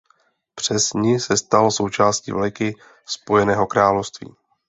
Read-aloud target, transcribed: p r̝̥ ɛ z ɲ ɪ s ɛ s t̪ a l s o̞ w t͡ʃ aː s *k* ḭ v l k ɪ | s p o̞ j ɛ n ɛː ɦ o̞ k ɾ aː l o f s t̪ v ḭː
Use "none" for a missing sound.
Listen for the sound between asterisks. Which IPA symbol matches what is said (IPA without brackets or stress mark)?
c